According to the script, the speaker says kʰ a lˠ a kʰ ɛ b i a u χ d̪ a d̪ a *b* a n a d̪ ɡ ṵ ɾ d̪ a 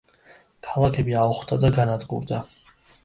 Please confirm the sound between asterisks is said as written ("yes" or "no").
no